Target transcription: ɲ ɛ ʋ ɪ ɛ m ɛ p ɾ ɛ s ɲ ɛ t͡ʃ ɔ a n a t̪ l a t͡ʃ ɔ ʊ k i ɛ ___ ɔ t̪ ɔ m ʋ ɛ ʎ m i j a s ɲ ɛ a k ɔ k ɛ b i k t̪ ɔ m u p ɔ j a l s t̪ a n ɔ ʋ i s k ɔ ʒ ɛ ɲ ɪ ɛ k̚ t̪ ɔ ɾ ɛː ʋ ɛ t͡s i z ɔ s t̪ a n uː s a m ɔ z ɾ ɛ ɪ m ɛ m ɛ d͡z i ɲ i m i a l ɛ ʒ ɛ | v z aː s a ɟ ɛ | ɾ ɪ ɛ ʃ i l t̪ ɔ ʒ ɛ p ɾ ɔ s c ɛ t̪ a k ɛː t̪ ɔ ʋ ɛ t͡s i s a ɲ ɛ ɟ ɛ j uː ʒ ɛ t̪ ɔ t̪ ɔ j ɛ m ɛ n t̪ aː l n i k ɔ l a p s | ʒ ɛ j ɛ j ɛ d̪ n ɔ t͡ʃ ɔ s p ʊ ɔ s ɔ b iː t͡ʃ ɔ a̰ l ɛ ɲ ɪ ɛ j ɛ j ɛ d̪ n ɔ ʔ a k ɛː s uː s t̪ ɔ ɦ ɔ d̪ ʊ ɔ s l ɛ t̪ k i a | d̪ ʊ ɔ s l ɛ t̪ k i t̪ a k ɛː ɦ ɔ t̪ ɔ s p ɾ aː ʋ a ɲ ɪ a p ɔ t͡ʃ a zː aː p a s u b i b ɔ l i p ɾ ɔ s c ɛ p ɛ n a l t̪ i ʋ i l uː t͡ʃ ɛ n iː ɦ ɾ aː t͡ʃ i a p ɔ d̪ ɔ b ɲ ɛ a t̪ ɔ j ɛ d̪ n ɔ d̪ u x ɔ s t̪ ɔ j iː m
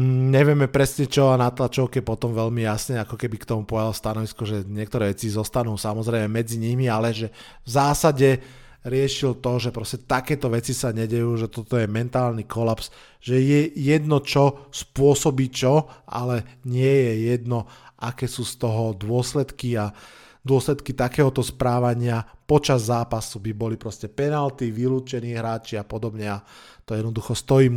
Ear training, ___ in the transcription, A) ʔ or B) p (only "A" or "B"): B